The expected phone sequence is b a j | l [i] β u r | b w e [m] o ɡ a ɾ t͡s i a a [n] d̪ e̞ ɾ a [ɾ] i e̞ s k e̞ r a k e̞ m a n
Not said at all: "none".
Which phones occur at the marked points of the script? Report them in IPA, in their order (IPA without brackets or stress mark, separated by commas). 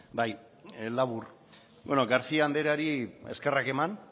a, n, n, ɾ